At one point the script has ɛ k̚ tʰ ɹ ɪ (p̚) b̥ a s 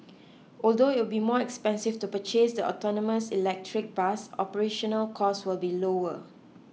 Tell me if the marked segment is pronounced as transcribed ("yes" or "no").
no